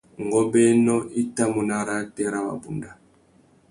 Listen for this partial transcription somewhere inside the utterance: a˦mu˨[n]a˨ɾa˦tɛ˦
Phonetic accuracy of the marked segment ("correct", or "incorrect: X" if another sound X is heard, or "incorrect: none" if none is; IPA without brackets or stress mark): correct